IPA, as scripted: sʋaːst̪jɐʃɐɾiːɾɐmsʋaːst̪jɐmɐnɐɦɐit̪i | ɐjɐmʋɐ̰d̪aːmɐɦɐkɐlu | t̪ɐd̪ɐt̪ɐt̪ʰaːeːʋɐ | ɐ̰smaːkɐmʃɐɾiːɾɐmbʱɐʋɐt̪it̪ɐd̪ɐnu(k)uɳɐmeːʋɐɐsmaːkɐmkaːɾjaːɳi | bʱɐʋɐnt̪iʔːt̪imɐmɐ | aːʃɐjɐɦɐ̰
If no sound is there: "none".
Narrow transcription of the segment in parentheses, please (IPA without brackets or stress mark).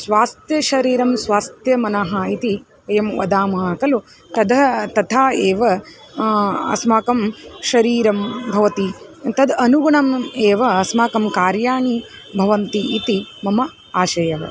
ɡ